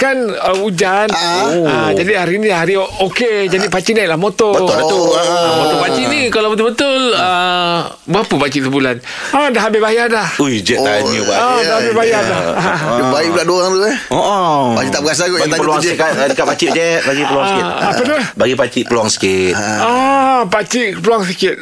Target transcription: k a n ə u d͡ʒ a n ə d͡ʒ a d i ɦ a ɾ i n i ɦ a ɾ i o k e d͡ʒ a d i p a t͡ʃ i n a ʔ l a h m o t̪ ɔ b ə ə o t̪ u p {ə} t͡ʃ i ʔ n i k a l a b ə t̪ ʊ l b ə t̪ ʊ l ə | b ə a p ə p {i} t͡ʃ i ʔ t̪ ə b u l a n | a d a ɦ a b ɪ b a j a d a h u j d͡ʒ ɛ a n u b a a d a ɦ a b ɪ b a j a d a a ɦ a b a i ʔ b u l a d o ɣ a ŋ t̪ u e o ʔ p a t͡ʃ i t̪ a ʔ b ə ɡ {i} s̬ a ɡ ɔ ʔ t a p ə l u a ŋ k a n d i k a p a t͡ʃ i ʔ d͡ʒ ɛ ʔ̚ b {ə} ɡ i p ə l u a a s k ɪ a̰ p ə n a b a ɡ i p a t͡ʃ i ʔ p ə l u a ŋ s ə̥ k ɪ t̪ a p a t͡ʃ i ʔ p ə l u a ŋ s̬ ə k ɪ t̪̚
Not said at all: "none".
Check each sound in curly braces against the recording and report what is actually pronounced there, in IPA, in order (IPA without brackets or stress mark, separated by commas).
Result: a, a, a, a